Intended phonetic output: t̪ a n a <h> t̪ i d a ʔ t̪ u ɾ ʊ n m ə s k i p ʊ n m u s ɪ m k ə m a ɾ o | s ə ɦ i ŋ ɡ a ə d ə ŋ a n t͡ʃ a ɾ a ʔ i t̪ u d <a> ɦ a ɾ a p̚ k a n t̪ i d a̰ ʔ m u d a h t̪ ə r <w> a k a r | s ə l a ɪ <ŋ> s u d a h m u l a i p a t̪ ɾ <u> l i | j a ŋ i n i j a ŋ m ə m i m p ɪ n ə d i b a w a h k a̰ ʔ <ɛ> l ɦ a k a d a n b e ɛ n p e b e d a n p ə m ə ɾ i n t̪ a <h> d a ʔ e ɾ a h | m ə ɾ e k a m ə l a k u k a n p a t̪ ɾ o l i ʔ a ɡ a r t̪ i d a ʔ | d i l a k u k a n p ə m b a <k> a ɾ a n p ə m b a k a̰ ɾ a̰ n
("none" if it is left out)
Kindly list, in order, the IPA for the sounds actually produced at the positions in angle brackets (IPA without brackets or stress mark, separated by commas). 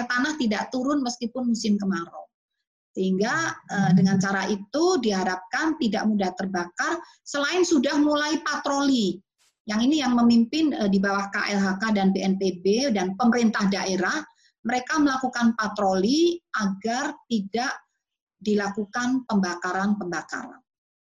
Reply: h, i, b, n, o, ɛ, h, k